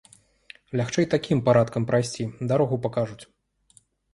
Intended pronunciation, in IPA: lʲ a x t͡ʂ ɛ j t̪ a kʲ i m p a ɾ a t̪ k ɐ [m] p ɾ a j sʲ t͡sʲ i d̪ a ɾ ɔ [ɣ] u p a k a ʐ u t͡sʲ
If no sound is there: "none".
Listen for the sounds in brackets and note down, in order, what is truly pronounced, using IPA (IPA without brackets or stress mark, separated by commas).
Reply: m, ɣ